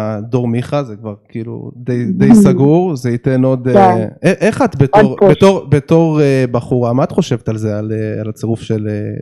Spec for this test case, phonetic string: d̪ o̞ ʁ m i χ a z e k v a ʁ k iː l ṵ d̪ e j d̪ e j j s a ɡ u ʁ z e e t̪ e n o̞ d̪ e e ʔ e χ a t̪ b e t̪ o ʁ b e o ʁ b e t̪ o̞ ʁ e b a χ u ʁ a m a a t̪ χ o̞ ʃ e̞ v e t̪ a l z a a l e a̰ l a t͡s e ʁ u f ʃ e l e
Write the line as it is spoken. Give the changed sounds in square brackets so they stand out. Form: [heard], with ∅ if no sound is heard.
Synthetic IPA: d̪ o̞ ʁ m i χ a z e k v a ʁ k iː l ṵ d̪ e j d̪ e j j s a ɡ u ʁ z e [i] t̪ e n o̞ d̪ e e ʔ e χ a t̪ b e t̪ o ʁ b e o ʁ b e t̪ o̞ ʁ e b a χ u ʁ a m a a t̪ χ o̞ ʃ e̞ v e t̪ a l z [e] a l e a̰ l a t͡s e ʁ u f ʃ e l e